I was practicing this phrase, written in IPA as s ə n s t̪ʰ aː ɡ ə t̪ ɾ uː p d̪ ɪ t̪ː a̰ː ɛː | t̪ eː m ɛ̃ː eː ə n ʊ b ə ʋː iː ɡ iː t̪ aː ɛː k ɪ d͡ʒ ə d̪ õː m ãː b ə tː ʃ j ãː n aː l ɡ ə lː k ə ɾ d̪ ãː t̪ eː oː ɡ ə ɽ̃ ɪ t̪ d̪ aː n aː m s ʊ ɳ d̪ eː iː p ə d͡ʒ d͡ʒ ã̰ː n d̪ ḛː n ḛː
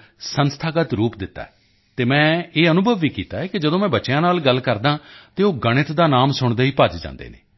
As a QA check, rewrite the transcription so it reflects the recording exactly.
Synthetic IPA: s ə n s t̪ʰ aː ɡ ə t̪ ɾ uː p d̪ ɪ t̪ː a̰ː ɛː | t̪ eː m ɛ̃ː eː ə n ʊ b ə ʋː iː k iː t̪ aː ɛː k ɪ d͡ʒ ə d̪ õː m ɛ̃ː b ə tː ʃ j ãː n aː l ɡ ə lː k ə ɾ d̪ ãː t̪ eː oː ɡ ə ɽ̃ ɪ t̪ d̪ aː n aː m s ʊ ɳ d̪ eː iː p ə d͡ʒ d͡ʒ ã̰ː n d̪ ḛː n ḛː

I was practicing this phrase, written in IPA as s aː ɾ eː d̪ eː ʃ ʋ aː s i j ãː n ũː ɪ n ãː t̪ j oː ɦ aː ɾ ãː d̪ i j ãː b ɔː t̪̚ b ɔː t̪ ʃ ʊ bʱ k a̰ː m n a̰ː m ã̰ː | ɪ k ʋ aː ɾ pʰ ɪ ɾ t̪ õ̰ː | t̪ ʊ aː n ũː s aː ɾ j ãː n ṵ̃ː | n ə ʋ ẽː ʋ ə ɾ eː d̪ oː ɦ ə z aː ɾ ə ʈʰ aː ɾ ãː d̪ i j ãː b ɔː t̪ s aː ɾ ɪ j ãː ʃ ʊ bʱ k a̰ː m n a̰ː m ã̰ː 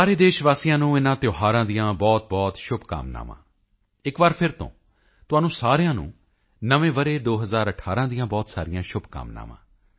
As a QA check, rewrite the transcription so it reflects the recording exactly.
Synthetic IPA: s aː ɾ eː d̪ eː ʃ ʋ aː s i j ãː n ũː ɪ n ãː t̪ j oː ɦ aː ɾ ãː d̪ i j ãː b ɔː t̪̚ b ɔː t̪ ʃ ʊ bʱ k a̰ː m n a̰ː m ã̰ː | ɪ k ʋ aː ɾ pʰ ɪ ɾ t̪ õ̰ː | t̪ ʊ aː n ũː s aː ɾ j ãː n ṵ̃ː | n ə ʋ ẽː ʋ ə ɾ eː d̪ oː ɦ ə z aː ɾ ə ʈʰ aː ɾ ãː d̪ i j ãː b ɔː t̪ s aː ɾ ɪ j ãː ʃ ʊ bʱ k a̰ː m n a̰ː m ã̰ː

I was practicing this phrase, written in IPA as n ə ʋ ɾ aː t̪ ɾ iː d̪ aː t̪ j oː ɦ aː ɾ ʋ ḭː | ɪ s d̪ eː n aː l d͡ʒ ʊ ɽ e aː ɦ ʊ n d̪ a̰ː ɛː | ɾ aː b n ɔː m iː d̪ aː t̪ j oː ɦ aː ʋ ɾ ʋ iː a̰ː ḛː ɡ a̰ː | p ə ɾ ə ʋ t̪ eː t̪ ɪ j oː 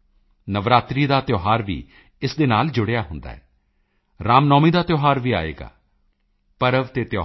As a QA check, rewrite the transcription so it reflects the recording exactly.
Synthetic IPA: n ə ʋ ɾ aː t̪ ɾ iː d̪ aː t̪ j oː ɦ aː ɾ ʋ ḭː | ɪ s d̪ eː n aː l d͡ʒ ʊ ɽ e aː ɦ ʊ n d̪ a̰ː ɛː | ɾ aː m n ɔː m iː d̪ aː t̪ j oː ɦ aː ɾ ʋ iː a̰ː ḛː ɡ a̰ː | p ə ɾ ə ʋ t̪ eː t̪ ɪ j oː

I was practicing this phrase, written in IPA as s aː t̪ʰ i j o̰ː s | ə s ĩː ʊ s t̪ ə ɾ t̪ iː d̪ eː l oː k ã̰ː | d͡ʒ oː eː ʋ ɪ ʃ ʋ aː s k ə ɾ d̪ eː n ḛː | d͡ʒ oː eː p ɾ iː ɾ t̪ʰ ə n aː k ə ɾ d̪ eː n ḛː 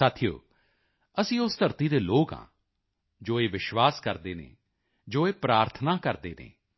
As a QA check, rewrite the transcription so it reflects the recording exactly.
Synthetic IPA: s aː t̪ʰ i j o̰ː | ə s ĩː ʊ s t̪ ə ɾ t̪ iː d̪ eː l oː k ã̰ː | d͡ʒ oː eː ʋ ɪ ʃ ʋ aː s k ə ɾ d̪ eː n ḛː | d͡ʒ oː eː p ɾ aː ɾ t̪ʰ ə n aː k ə ɾ d̪ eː n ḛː

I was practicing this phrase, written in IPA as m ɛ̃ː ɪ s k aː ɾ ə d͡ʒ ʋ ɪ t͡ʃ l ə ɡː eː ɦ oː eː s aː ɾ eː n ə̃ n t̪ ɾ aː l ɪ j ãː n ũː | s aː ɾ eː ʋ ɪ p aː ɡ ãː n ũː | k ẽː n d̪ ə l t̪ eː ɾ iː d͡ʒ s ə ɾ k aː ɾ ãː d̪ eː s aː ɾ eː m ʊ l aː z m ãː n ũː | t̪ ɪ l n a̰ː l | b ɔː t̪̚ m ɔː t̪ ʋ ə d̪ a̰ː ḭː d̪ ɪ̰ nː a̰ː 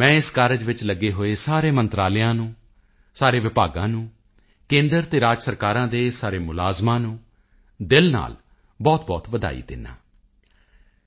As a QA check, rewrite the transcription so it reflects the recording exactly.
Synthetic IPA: m ɛ̃ː ɪ s k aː ɾ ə d͡ʒ ʋ ɪ t͡ʃ l ə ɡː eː ɦ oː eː s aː ɾ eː m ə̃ n t̪ ɾ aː l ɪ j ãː n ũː | s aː ɾ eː ʋ ɪ p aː ɡ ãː n ũː | k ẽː n d̪ ə ɾ t̪ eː ɾ aː d͡ʒ s ə ɾ k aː ɾ ãː d̪ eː s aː ɾ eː m ʊ l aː z m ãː n ũː | d̪ ɪ l n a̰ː l | b ɔː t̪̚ b ɔː t̪ ʋ ə d̪ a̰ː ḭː d̪ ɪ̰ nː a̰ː

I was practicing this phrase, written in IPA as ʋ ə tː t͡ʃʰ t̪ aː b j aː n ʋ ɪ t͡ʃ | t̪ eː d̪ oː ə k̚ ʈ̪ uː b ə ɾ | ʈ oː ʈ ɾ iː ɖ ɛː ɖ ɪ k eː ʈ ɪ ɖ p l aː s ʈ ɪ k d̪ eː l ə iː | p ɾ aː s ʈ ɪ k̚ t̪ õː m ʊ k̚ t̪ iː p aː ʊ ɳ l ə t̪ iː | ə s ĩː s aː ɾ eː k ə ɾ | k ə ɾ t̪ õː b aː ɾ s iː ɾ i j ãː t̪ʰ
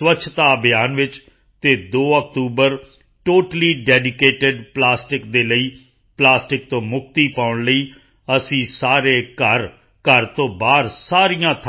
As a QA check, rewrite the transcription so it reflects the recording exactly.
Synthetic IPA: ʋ ə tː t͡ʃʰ t̪ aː b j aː n ʋ ɪ t͡ʃ | t̪ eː d̪ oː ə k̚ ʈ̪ uː b ə ɾ | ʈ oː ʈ l iː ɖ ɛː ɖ ɪ k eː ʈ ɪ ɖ p l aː s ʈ ɪ k d̪ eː l ə iː | p l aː s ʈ ɪ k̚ t̪ õː m ʊ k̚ t̪ iː p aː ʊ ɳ l ə iː | ə s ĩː s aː ɾ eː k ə ɾ | k ə ɾ t̪ õː b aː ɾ s aː ɾ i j ãː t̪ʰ

